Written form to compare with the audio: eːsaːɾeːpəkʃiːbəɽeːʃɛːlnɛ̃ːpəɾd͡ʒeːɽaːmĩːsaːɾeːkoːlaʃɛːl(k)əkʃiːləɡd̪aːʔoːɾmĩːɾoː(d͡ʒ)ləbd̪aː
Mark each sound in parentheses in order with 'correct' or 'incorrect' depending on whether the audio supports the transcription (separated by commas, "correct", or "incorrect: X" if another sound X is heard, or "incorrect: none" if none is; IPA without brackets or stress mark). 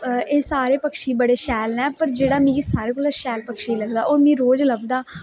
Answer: incorrect: p, correct